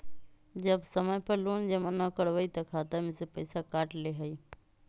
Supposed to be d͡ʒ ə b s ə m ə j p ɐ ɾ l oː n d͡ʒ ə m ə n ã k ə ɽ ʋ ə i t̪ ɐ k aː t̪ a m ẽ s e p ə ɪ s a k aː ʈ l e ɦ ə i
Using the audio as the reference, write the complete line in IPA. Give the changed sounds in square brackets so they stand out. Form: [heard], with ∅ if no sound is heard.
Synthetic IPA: d͡ʒ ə b s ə m ə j p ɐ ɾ l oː n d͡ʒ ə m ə n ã k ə ɽ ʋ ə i t̪ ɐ [kʰ] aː t̪ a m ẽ s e p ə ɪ s a k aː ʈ l e ɦ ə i